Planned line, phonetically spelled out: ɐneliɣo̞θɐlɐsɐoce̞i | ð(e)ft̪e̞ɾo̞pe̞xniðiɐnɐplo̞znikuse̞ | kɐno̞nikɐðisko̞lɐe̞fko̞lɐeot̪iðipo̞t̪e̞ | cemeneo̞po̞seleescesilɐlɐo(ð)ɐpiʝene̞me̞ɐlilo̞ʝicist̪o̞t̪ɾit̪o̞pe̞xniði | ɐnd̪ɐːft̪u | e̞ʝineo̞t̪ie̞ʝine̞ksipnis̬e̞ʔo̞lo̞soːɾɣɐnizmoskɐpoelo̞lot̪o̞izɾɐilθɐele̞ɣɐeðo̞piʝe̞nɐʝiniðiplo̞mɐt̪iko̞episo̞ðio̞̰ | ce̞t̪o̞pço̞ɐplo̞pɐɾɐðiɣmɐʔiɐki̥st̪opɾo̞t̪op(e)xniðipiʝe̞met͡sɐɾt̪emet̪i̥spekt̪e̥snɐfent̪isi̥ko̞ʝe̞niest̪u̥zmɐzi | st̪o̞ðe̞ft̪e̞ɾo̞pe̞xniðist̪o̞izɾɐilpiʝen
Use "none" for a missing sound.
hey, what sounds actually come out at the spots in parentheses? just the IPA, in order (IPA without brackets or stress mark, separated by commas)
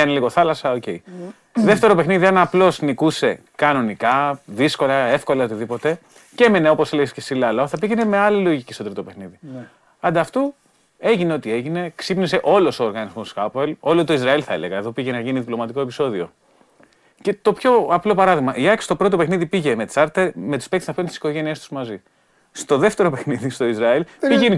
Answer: e, θ, e